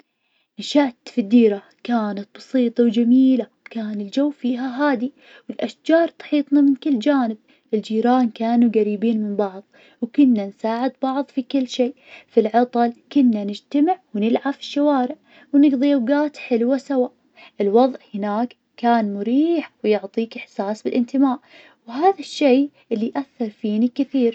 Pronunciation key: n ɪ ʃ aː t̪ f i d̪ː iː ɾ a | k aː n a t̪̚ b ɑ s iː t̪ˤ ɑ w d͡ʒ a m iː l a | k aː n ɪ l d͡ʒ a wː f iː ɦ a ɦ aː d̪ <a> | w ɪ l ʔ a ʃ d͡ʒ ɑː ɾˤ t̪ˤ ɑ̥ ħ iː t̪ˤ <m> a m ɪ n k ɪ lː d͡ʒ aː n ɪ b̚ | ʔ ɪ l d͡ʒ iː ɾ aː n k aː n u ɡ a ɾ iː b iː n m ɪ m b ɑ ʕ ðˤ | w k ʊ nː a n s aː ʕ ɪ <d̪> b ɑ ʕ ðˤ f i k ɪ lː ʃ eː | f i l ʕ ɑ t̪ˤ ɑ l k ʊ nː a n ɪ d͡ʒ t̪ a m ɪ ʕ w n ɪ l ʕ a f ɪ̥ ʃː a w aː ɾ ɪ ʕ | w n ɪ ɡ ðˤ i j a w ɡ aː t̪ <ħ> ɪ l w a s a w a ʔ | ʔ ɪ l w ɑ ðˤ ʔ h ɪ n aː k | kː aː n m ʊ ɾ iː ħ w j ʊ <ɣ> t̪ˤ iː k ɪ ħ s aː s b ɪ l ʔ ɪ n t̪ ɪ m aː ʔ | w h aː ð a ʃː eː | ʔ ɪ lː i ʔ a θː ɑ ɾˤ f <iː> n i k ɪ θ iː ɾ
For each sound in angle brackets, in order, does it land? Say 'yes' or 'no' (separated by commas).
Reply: no, no, yes, yes, no, yes